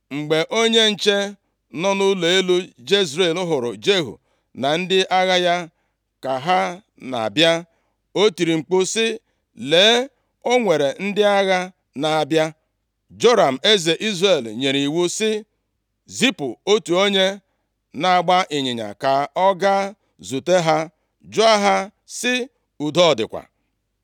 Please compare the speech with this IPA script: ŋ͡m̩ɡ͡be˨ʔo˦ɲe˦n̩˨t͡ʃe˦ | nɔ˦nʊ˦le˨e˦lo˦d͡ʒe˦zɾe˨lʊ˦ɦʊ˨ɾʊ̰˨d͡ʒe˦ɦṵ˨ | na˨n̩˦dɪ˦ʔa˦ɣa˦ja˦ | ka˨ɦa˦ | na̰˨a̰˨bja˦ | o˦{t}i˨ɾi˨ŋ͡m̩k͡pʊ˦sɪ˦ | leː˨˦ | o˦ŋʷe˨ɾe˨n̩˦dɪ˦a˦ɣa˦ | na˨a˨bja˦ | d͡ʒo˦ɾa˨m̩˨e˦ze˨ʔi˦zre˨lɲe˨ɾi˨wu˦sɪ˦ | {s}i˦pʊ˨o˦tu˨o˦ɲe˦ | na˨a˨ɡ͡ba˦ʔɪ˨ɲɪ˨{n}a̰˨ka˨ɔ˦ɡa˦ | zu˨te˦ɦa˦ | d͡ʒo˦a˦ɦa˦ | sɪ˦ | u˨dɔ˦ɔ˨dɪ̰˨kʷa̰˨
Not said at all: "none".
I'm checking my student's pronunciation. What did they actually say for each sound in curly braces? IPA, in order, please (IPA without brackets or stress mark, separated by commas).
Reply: t, z, ɲ